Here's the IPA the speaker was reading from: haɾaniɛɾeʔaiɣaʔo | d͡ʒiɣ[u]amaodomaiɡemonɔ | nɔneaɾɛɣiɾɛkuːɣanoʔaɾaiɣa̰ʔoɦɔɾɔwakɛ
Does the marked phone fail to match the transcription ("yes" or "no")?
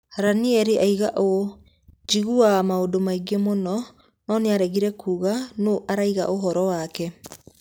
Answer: no